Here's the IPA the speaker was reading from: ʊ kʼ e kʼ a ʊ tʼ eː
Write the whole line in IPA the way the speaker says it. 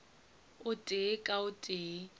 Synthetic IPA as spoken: ʊ tʼ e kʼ a ʊ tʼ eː